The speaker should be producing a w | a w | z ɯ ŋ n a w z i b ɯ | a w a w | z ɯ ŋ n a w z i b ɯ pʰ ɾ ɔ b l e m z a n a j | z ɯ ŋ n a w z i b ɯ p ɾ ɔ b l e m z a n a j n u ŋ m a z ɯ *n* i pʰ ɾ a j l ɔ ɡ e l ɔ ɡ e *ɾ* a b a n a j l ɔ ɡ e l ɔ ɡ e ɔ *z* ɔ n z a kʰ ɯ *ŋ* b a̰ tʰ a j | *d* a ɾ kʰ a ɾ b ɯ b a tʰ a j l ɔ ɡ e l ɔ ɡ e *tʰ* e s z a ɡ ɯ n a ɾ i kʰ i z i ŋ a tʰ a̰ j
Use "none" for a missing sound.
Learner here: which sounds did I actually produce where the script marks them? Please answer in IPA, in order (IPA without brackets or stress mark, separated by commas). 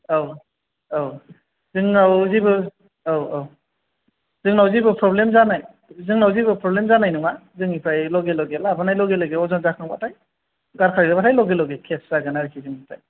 ŋ, l, z, ŋ, ɡ, kʰ